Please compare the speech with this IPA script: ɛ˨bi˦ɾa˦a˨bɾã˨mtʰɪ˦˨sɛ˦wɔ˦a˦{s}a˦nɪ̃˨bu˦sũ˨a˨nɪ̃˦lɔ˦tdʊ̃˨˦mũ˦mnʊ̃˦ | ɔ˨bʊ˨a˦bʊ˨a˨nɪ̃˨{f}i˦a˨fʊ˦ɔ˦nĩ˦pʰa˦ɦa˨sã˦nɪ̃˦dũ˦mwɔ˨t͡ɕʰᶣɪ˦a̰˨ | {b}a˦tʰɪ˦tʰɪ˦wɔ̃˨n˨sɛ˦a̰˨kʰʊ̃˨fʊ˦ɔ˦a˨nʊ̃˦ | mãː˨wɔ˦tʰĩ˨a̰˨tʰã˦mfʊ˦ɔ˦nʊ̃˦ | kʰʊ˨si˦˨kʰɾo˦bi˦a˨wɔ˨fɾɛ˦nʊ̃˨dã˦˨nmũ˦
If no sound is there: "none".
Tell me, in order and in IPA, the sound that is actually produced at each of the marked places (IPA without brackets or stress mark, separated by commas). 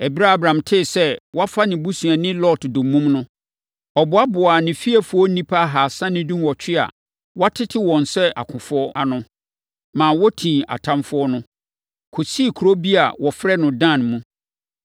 f, f, w